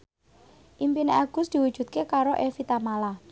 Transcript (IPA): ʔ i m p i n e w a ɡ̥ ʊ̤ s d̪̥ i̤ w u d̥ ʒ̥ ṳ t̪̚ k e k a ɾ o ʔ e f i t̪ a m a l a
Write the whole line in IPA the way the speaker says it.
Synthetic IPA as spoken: ʔ i m p i n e a ɡ̥ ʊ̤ s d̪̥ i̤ w u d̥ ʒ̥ ṳ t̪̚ k e k a ɾ o ʔ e f i t̪ a m a l a